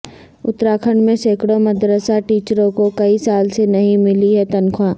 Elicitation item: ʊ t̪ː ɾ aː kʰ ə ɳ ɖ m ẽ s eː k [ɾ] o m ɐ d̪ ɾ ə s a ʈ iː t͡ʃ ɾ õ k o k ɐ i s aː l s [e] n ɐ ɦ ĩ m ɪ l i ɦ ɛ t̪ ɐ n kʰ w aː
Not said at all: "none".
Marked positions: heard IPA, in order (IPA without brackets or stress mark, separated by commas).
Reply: ɽ, e